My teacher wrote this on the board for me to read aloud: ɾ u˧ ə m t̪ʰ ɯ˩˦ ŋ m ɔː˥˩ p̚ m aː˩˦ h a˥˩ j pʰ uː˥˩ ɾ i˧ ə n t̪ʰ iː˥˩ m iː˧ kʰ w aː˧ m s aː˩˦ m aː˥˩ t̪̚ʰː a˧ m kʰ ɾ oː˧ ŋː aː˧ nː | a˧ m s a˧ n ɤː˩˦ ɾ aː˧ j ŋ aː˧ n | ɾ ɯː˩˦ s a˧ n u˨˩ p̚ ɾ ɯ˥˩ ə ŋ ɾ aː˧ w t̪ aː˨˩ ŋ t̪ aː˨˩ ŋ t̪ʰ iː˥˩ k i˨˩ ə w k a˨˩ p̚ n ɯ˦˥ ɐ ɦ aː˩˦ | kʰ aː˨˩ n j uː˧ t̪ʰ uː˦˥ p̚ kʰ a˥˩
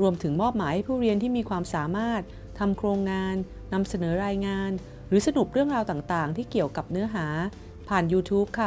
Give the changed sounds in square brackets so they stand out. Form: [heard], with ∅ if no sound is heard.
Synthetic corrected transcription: ɾ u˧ ə m t̪ʰ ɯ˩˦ ŋ m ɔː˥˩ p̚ m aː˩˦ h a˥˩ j pʰ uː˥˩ ɾ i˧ ə n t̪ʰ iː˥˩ m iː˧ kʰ w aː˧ m s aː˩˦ m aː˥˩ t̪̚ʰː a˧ m kʰ ɾ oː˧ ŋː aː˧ nː | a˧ m s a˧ n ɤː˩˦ ɾ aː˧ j ŋ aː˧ n | ɾ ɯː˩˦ s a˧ n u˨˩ p̚ ɾ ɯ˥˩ ə ŋ ɾ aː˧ w t̪ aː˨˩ ŋ t̪ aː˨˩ ŋ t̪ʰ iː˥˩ k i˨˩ ə w k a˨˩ p̚ n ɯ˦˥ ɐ ɦ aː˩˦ | [pʰ] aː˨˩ n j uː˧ t̪ʰ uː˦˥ p̚ kʰ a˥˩